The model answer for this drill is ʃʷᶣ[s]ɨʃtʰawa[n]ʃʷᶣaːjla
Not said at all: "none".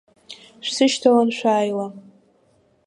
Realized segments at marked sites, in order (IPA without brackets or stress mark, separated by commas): s, n